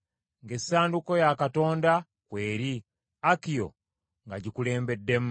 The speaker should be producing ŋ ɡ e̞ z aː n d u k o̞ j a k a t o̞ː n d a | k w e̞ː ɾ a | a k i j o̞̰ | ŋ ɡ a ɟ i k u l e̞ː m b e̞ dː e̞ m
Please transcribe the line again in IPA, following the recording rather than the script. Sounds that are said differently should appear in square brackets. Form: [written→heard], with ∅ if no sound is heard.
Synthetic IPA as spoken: ŋ ɡ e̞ [z→s] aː n d u k o̞ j a k a t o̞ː n d a | k w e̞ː ɾ [a→i] | a k i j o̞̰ | ŋ ɡ a ɟ i k u l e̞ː m b e̞ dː e̞ m